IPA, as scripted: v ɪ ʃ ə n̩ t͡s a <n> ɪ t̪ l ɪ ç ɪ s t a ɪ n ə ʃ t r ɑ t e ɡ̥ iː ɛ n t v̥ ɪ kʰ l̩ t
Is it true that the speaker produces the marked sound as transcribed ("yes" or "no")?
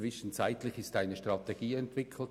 no